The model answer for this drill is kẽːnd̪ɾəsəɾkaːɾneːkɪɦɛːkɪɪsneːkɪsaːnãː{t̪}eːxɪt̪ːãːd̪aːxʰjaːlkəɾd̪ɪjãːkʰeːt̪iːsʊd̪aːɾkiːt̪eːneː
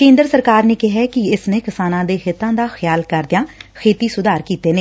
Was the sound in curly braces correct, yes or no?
no